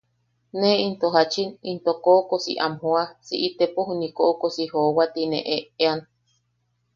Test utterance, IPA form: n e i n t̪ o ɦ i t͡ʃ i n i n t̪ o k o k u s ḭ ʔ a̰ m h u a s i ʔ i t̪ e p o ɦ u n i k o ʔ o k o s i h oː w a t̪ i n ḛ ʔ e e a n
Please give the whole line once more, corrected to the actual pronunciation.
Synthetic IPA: n e i n t̪ o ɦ a t͡ʃ i n i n t̪ o k o k o s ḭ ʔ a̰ m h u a s i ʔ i t̪ e p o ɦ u n i k o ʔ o k o s i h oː w a t̪ i n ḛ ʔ e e a n